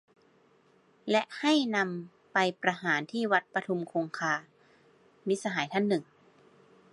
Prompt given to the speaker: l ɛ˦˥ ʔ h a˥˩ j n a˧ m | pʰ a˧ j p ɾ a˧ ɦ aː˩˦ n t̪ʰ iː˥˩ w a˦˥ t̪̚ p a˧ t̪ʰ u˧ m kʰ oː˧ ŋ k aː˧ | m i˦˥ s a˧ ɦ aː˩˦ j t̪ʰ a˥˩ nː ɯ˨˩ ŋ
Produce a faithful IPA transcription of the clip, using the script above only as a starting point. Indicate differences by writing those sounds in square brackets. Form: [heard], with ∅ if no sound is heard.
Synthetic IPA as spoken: l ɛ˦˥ ʔ h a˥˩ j n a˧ m | [p] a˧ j p ɾ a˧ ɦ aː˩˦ n t̪ʰ iː˥˩ w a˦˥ t̪̚ p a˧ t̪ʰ u˧ m kʰ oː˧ ŋ [kʰ] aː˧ | m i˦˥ s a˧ ɦ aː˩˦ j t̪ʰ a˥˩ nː ɯ˨˩ ŋ

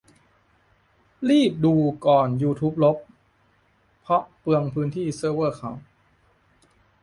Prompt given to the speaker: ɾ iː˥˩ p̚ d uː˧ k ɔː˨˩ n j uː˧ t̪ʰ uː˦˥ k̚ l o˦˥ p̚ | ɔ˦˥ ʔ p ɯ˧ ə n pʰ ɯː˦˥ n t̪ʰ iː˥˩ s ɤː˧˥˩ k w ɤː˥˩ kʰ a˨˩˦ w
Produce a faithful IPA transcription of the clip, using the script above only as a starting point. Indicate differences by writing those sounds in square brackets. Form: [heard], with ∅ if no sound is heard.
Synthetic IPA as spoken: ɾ iː˥˩ p̚ d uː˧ k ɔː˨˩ n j uː˧ t̪ʰ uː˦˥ [p̚] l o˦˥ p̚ | ɔ˦˥ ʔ p ɯ˧ ə [ŋ] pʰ ɯː˦˥ n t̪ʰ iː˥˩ s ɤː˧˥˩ [∅] w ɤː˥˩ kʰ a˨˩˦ w

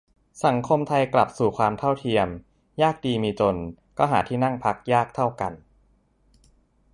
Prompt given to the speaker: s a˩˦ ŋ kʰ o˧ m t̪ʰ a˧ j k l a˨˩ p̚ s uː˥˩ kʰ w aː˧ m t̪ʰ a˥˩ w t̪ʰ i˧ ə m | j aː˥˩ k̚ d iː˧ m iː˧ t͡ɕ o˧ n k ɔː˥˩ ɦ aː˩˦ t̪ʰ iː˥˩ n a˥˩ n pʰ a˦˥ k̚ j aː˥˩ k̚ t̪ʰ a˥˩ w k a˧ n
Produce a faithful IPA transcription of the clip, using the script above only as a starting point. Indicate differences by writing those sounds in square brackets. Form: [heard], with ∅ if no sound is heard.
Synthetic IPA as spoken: s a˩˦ ŋ kʰ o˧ m t̪ʰ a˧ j k l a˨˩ p̚ s [uː˨˩] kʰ w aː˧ m t̪ʰ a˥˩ w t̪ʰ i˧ ə m | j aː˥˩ k̚ d iː˧ m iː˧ t͡ɕ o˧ n k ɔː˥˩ ɦ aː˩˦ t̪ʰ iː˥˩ n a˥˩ [ŋ] pʰ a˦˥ k̚ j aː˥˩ k̚ t̪ʰ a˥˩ w k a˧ n

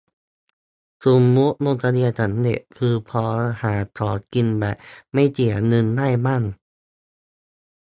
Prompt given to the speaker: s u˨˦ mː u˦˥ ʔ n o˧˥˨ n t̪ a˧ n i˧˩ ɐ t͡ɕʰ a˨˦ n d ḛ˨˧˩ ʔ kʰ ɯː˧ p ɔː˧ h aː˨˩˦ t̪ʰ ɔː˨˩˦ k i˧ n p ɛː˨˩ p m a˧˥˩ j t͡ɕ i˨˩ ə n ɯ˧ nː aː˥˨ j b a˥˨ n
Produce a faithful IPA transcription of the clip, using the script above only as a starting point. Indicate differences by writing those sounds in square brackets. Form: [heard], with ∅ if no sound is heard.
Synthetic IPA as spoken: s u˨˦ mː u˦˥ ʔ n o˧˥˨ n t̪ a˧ n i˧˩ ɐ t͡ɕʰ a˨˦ n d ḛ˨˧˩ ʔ kʰ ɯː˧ [pʰ] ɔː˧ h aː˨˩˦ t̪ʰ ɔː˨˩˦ k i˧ n [b] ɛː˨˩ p m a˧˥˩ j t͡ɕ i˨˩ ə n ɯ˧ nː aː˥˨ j [m] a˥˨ n

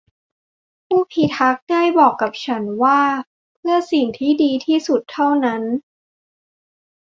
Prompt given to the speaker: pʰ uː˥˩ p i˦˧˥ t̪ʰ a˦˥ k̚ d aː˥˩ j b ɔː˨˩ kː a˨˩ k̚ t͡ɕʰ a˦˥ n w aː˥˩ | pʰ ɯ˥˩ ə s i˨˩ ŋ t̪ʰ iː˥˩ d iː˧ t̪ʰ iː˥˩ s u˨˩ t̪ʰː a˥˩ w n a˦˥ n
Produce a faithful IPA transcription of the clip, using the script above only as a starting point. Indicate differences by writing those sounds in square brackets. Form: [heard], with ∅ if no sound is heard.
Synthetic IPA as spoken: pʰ uː˥˩ [pʰ] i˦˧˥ t̪ʰ a˦˥ k̚ d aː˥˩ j b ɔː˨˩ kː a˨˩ [p̚] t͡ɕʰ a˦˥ n w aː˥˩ | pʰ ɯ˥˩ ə s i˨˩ ŋ t̪ʰ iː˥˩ d iː˧ t̪ʰ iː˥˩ s u˨˩ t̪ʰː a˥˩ w n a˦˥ n

